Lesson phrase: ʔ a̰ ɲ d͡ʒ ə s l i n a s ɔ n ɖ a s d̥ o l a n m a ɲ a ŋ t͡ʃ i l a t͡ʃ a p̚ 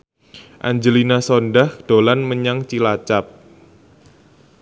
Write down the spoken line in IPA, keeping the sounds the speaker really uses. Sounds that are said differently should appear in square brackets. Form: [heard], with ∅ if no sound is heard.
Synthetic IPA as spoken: ʔ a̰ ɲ d͡ʒ ə [∅] l i n a s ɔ n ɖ a [h] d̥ o l a n m [ə] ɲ a ŋ t͡ʃ i l a t͡ʃ a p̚